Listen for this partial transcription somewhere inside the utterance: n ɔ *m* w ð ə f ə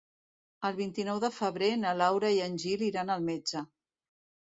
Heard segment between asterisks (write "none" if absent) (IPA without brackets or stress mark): none